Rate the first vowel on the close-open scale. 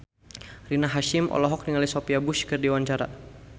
close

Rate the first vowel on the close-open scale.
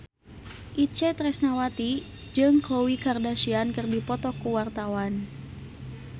close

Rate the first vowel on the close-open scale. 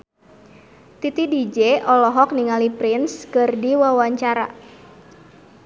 close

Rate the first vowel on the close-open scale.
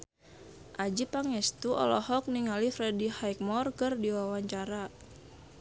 open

